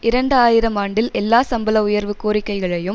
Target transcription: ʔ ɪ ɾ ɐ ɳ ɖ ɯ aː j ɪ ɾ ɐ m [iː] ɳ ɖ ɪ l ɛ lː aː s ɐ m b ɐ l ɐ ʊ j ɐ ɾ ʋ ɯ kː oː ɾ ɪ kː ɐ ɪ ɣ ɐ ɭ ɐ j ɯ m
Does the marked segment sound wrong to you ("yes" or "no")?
yes